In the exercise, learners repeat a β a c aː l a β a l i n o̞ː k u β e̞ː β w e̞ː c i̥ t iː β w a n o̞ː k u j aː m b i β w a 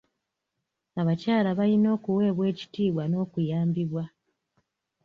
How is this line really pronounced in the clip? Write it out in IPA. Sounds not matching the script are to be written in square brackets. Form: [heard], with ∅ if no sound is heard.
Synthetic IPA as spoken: a β a c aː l a β a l i n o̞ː k u [w] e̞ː β w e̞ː c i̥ t iː β w a n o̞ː k u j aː m b i β w a